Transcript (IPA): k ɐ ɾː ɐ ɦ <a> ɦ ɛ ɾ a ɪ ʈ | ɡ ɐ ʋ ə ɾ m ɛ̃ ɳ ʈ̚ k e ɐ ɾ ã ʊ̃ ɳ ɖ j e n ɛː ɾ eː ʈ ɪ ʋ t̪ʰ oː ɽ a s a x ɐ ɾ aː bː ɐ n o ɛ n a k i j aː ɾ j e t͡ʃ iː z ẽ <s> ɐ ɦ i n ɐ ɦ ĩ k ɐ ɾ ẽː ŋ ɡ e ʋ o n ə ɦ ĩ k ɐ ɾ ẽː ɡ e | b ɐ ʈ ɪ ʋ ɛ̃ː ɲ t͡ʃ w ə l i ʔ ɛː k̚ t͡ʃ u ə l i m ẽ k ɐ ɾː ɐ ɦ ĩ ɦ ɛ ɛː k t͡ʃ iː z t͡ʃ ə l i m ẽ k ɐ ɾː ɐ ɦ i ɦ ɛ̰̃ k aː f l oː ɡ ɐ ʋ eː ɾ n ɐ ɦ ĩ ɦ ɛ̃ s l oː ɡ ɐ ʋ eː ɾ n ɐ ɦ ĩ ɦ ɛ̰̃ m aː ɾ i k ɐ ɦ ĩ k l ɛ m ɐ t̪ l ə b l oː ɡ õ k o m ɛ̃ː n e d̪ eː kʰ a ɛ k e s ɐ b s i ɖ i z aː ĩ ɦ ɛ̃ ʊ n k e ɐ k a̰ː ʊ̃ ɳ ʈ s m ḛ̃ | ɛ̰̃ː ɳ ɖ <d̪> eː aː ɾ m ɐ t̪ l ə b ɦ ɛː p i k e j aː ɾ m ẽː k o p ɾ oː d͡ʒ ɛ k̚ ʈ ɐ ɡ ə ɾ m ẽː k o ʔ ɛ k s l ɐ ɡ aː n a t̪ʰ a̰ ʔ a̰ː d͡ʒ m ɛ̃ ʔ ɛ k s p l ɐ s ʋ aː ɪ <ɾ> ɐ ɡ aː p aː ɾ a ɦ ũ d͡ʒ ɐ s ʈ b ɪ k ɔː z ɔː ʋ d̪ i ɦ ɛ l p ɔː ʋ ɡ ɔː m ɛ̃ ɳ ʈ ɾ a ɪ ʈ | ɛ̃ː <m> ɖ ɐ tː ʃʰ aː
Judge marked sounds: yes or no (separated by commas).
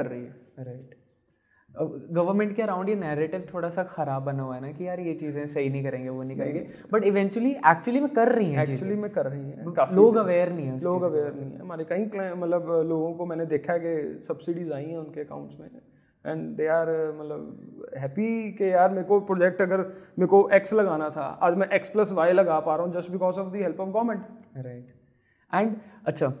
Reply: no, yes, yes, no, no